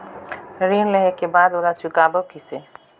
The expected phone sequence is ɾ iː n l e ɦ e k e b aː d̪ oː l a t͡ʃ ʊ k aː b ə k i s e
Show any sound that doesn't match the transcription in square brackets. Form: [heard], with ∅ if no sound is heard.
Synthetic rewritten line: ɾ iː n l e ɦ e k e b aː d̪ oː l a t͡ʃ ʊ k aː b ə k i s e